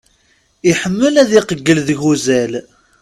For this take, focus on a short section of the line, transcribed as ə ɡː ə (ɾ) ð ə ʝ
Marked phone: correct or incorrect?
incorrect